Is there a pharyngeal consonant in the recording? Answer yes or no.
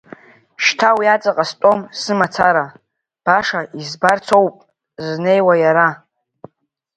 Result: no